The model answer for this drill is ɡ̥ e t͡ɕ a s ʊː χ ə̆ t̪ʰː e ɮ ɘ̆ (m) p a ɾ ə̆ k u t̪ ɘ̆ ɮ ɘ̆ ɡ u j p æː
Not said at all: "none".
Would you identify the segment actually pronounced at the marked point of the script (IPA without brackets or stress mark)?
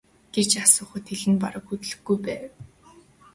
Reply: n